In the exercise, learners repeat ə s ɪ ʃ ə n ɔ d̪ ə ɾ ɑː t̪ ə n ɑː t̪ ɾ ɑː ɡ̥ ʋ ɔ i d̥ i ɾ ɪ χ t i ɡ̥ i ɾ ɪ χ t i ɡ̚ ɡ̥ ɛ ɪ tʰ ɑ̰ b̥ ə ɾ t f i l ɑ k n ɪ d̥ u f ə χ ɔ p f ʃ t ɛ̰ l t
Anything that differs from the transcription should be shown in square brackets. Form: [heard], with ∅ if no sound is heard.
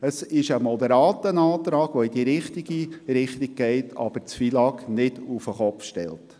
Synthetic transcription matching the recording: ə s ɪ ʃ ə [m] ɔ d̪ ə ɾ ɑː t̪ ə n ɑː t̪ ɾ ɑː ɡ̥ ʋ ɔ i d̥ i ɾ ɪ χ t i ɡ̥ i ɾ ɪ χ t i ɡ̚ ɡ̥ ɛ ɪ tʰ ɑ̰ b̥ ə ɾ [t͡s] f i l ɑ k n ɪ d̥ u f ə χ ɔ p f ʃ t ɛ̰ l t